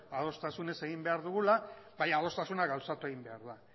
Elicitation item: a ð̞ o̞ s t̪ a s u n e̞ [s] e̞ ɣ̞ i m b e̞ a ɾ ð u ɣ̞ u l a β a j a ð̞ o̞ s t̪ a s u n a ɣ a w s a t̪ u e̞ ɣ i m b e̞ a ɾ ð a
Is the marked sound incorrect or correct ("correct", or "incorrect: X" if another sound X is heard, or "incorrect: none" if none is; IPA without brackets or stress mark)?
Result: correct